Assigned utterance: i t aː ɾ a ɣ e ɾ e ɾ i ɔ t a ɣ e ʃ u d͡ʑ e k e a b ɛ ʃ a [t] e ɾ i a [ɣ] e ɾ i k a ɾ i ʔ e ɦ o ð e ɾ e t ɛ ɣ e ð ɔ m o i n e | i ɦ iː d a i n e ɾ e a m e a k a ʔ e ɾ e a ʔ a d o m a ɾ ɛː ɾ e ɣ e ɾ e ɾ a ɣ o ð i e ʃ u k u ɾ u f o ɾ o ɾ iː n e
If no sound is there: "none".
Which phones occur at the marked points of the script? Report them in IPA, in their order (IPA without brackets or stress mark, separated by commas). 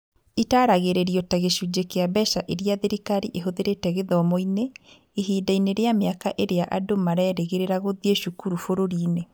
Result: ʔ, ð